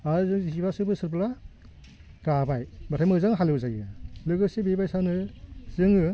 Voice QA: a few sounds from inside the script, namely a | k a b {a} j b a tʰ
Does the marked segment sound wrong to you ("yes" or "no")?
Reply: no